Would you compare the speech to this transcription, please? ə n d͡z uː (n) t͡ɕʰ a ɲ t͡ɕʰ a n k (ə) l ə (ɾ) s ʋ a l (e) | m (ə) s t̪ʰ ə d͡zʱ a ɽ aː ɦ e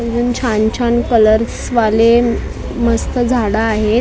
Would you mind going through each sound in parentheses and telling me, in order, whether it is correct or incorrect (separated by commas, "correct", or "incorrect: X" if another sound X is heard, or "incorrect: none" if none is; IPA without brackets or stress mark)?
correct, correct, correct, correct, correct